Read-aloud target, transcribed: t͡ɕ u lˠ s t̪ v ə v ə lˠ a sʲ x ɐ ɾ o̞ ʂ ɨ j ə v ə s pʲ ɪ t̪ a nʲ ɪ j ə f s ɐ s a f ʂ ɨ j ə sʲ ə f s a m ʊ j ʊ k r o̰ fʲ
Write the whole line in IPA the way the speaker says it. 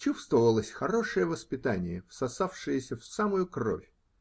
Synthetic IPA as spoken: t͡ɕ u s t̪ v ə v ə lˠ ə sʲ x ɐ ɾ o̞ ʂ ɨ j ə v ə s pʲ ɪ t̪ a nʲ ɪ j ə f s ɐ s a f ʂ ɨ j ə sʲ ə f s a m ʊ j ʊ k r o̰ fʲ